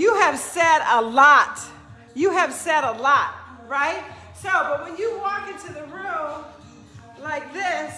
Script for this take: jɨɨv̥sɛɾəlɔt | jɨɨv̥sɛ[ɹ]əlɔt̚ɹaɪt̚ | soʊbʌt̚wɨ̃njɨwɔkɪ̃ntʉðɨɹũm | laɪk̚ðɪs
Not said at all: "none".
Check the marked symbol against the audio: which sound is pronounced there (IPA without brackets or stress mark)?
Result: ɾ